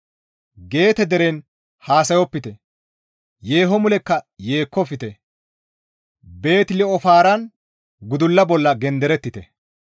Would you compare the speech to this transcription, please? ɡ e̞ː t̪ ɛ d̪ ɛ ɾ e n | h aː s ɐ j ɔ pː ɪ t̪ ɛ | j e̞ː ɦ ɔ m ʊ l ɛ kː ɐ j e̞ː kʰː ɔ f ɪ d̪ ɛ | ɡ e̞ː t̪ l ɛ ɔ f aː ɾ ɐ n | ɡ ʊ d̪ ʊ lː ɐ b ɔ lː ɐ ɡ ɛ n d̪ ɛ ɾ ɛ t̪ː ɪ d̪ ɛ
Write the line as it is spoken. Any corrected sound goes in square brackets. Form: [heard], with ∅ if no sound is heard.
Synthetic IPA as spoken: ɡ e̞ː t̪ ɛ d̪ ɛ ɾ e n | h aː s ɐ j ɔ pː ɪ t̪ ɛ | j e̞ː ɦ ɔ m ʊ l ɛ kː ɐ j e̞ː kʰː ɔ f ɪ [t̪] ɛ | [b] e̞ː t̪ l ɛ ɔ f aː ɾ ɐ n | ɡ ʊ d̪ ʊ lː ɐ b ɔ lː ɐ ɡ ɛ n d̪ ɛ ɾ ɛ t̪ː ɪ [t̪] ɛ